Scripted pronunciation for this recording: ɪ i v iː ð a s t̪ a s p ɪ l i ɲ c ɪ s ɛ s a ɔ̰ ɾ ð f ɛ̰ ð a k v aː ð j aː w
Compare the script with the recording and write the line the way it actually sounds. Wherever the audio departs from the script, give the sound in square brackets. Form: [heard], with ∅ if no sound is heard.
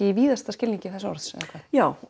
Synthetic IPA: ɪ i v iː ð a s t̪ a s [c] ɪ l i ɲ c ɪ [θ] ɛ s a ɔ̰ ɾ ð [s] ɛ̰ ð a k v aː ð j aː w

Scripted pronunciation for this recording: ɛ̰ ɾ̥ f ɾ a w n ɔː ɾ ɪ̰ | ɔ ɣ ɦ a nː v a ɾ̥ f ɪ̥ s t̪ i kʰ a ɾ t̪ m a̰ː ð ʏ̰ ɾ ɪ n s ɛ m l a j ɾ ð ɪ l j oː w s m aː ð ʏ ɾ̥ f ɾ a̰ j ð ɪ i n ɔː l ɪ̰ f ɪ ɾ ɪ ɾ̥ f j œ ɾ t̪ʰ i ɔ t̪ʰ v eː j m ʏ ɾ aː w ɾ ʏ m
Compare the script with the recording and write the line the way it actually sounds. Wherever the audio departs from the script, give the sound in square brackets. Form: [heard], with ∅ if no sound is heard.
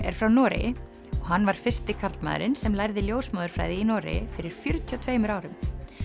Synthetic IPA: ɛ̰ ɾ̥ f ɾ a w n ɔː ɾ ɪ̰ | ɔ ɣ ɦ a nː v a ɾ̥ f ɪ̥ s t̪ [ɪ] kʰ a ɾ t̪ m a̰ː ð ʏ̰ ɾ ɪ n s ɛ m l a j ɾ ð ɪ l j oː w s m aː ð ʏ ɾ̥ f ɾ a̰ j ð ɪ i n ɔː [ɾ] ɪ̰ f ɪ ɾ ɪ ɾ̥ f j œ ɾ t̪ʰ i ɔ t̪ʰ v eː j m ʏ ɾ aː w ɾ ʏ m

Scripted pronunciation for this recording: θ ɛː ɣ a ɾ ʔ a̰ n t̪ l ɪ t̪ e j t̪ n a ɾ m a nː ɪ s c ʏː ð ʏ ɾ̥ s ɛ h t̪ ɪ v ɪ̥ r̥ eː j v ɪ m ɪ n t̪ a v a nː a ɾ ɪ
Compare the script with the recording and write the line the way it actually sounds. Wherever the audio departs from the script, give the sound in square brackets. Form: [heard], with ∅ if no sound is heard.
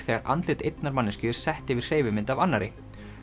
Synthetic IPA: θ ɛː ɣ a ɾ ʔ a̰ n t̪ l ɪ t̪ e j t̪ n a ɾ m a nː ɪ s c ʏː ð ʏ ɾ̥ s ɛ h t̪ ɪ v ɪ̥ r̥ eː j v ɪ m ɪ n t̪ a v a nː a ɾ ɪ

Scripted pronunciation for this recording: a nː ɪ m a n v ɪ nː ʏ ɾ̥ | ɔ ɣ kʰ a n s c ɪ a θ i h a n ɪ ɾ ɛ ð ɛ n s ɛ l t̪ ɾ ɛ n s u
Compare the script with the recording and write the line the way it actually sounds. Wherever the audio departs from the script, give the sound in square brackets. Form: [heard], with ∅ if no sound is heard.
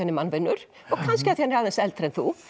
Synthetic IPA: a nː ɪ m a n v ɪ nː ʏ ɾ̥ | ɔ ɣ kʰ a n s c ɪ a θ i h a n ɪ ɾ [a] ð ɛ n s ɛ l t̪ ɾ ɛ n [θ] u

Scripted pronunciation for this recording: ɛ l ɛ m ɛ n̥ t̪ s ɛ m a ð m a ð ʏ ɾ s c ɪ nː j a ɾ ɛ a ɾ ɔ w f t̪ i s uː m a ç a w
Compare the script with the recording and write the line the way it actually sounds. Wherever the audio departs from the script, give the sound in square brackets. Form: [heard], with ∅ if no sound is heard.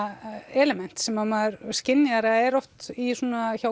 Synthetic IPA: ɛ l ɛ m ɛ n̥ t̪ s ɛ m a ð m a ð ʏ ɾ s c ɪ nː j a ɾ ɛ [ɛ] ɾ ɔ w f t̪ i s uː [n] a ç a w

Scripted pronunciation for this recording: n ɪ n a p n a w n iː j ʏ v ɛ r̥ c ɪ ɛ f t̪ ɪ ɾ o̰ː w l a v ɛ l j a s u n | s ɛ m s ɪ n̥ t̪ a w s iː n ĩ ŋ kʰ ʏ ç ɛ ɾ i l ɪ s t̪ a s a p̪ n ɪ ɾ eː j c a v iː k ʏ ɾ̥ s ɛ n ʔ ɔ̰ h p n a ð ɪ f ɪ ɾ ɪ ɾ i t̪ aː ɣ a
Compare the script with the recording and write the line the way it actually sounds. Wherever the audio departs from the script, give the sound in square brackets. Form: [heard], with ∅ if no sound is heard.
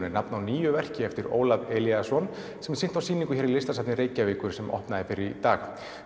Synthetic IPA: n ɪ n a p n a w n iː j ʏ v ɛ r̥ c ɪ ɛ f t̪ ɪ ɾ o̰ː w l a v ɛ l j a s [ɔ] n | s ɛ m s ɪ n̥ t̪ a w s iː n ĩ ŋ [k] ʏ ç ɛ ɾ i l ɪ s t̪ a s a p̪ n ɪ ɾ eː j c a v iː k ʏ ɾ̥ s ɛ [m] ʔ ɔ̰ h p n a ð ɪ f ɪ ɾ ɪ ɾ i t̪ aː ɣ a

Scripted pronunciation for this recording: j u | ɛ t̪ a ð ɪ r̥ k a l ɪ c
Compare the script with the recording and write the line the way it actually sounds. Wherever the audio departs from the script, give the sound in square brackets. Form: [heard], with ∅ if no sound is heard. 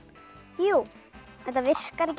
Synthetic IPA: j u | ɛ t̪ a [v] ɪ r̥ k a [ɾ] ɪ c

